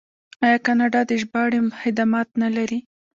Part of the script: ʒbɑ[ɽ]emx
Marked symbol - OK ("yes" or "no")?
yes